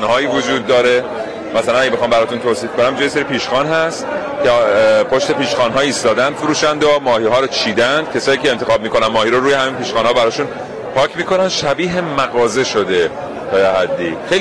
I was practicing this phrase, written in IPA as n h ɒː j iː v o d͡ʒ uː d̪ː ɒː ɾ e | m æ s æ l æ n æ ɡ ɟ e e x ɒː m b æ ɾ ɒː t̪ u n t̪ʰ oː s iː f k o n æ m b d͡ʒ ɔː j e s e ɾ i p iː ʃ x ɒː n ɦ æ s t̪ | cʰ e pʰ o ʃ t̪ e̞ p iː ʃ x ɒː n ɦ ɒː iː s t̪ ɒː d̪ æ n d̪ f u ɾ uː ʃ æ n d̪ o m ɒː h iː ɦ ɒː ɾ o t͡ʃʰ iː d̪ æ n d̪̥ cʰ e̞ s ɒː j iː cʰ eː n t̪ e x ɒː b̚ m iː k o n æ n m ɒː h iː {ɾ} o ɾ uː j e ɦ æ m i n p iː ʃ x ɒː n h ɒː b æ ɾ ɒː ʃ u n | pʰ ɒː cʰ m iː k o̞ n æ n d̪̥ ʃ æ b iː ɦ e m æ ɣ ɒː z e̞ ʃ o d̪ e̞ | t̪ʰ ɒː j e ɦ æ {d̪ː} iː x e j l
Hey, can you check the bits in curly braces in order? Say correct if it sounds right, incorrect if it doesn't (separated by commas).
correct, correct